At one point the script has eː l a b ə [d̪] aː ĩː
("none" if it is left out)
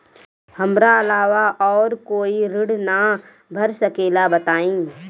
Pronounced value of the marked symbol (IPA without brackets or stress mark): t̪